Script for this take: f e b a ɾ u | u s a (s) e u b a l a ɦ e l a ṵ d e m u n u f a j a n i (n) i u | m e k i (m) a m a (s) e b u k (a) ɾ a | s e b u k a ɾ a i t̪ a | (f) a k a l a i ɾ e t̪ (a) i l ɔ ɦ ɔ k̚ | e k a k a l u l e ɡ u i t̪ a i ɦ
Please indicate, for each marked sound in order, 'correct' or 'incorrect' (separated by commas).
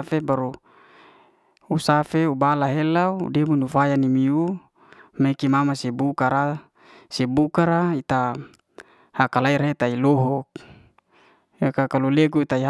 incorrect, incorrect, correct, correct, correct, incorrect, correct